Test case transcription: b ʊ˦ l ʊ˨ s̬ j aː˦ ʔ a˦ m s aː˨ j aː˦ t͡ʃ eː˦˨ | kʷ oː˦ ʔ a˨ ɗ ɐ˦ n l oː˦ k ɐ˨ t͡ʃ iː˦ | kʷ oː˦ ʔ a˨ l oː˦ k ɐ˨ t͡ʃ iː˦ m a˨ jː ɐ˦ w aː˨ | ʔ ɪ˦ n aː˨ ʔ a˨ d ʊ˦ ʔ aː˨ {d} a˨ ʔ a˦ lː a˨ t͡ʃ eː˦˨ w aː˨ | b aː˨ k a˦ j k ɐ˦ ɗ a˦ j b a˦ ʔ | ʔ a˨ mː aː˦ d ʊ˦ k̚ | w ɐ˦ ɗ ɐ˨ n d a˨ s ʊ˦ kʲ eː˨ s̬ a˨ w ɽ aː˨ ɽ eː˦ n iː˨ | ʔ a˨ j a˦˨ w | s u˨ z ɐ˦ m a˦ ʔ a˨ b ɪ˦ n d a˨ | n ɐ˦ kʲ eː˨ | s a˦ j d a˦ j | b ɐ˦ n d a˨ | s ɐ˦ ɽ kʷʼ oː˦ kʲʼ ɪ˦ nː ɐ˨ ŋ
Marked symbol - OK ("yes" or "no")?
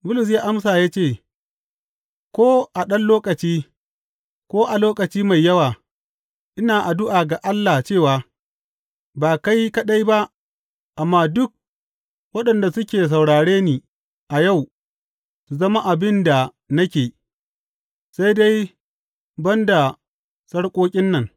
no